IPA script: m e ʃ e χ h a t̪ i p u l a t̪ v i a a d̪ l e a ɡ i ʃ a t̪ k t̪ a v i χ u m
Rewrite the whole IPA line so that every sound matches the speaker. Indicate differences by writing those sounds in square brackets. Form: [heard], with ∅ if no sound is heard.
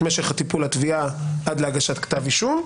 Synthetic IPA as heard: m e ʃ e χ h a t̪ i p u l a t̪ v i a a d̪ l e a ɡ [a] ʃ a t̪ k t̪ a v i [ʃ] u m